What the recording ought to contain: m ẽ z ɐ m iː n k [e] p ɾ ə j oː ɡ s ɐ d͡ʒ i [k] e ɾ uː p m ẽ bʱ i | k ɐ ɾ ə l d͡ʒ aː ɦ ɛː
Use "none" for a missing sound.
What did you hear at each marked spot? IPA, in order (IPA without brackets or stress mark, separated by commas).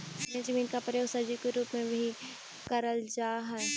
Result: a, k